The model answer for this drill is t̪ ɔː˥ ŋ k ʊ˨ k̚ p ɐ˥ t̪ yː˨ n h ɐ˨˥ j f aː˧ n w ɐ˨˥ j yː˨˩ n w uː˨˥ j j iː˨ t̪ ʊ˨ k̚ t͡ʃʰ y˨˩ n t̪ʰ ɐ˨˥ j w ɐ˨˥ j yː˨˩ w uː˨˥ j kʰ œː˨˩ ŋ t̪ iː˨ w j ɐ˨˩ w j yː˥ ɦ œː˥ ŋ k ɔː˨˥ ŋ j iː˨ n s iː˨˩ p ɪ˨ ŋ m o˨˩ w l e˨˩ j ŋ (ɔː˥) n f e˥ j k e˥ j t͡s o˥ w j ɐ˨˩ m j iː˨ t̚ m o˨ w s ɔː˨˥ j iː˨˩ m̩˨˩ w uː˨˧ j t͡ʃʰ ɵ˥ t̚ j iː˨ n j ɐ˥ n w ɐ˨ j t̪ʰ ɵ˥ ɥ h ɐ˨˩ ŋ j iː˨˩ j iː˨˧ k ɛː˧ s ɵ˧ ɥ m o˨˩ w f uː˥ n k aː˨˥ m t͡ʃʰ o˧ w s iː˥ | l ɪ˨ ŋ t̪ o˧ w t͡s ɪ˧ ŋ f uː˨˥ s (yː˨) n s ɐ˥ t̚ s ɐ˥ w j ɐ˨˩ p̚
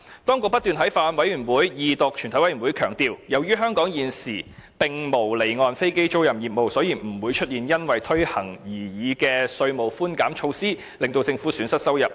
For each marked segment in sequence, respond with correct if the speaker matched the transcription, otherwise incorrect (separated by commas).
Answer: incorrect, incorrect